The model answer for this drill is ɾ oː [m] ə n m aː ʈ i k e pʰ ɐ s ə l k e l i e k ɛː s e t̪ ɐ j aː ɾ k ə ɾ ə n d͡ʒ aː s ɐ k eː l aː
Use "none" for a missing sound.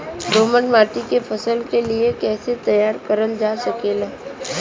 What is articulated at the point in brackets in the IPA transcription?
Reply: m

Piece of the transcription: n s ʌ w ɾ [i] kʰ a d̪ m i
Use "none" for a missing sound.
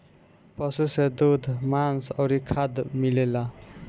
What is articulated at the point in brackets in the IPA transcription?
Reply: i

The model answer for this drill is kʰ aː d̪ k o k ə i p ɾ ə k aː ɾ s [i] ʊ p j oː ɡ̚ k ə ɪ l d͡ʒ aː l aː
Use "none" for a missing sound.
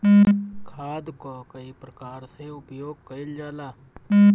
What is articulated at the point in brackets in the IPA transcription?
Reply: e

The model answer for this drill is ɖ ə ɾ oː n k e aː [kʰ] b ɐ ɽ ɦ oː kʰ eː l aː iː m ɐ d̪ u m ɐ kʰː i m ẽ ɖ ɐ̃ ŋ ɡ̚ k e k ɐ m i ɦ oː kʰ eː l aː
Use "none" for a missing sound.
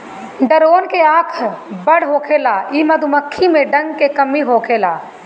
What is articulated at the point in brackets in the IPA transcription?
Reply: kʰ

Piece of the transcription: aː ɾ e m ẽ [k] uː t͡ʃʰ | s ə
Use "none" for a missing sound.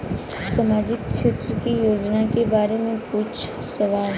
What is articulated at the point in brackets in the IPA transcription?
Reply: p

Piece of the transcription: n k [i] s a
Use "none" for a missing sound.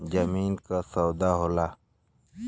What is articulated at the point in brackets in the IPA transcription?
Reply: a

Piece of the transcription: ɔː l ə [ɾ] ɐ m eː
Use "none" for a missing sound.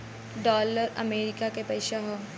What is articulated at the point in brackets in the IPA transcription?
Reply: ɾ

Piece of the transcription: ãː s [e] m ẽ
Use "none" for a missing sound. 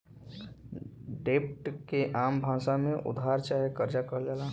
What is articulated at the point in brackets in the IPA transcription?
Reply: a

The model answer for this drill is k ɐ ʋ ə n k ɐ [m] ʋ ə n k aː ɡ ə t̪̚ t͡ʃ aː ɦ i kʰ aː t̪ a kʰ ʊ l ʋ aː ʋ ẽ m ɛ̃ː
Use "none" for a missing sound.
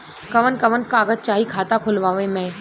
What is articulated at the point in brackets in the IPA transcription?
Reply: none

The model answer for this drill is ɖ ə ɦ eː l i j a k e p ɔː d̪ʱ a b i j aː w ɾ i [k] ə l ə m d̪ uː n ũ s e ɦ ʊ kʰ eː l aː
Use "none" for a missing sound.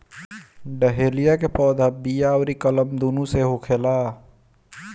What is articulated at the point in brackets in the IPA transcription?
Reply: k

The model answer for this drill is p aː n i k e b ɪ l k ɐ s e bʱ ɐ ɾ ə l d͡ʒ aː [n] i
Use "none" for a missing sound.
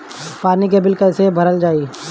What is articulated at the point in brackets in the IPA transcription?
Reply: none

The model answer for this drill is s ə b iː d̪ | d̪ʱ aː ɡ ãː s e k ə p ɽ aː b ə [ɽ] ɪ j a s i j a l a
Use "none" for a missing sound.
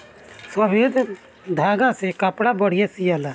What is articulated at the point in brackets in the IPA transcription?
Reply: ɽ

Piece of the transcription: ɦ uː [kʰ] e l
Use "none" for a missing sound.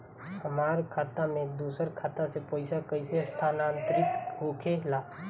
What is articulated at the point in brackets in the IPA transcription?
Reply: kʰ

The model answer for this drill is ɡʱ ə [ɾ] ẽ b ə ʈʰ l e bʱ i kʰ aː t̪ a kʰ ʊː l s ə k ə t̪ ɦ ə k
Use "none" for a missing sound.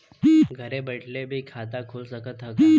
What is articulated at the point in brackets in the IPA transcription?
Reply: ɾ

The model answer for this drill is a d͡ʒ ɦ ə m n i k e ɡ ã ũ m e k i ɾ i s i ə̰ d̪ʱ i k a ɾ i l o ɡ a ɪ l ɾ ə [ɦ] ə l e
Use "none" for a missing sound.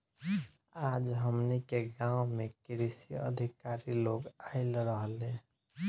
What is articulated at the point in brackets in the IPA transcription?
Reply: ɦ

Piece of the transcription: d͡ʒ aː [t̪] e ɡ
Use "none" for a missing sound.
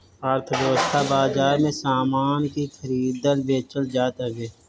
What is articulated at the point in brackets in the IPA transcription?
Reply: t̪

